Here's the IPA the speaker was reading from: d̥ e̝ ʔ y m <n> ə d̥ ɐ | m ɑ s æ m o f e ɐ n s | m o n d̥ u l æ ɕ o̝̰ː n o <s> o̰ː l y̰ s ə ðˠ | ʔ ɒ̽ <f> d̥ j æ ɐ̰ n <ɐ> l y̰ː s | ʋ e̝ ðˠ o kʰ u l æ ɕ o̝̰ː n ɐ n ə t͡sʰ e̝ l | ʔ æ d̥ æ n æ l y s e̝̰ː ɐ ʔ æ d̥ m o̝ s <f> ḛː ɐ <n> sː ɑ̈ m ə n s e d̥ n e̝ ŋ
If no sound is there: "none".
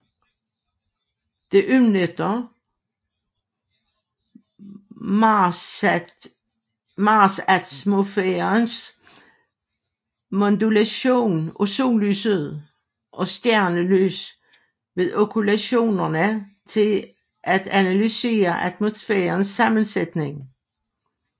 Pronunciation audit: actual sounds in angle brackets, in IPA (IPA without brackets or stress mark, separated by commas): n, s, s, ə, f, n